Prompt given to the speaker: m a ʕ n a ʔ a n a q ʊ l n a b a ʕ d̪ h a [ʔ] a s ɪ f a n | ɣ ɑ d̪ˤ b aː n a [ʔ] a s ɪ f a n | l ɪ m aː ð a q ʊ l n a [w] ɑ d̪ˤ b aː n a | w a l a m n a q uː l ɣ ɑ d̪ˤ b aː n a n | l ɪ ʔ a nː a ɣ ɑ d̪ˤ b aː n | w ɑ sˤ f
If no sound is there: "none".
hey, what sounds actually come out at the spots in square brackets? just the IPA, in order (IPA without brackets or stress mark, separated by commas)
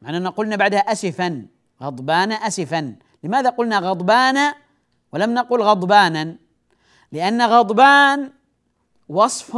ʔ, ʔ, ɣ